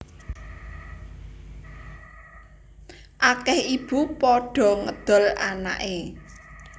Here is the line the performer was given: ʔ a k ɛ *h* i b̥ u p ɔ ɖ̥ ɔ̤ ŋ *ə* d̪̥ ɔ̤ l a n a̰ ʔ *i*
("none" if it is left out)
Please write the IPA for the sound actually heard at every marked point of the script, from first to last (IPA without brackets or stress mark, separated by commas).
h, ə, e